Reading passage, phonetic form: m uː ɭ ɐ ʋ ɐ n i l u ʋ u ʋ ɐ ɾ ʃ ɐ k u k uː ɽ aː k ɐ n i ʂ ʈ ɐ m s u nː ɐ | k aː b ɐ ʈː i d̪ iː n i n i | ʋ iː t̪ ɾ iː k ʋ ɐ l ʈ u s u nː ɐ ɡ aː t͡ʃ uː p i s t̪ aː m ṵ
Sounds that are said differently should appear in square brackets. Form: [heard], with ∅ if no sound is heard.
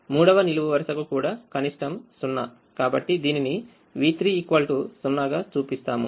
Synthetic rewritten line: m uː [ɽ] ɐ ʋ ɐ n i l u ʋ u ʋ ɐ ɾ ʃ ɐ k u k uː ɽ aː k ɐ n i ʂ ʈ ɐ m s u nː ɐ | k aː b ɐ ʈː i d̪ iː n i n i | ʋ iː t̪ ɾ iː k ʋ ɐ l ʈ u s u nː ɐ ɡ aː t͡ʃ uː p i s t̪ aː m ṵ